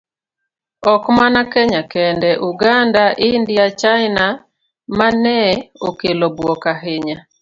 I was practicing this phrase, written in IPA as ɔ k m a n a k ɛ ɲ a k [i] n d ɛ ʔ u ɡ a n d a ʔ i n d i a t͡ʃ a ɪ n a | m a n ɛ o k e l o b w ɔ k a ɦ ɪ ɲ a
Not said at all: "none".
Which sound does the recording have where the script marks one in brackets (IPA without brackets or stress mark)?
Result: ɛ